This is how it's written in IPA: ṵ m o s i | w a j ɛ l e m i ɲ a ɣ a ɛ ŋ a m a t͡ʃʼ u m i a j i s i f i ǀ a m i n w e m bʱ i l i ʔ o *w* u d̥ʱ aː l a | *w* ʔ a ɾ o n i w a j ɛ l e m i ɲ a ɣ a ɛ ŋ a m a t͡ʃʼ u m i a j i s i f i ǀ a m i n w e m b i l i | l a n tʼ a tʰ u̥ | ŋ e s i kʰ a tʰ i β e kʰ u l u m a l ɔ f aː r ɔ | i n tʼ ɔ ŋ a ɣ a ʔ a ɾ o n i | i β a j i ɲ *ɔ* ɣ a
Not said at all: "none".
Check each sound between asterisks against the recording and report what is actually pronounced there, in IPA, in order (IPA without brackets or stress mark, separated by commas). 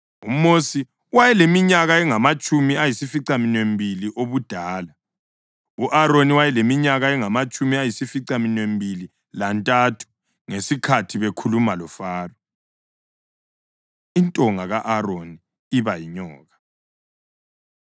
β, u, ɔː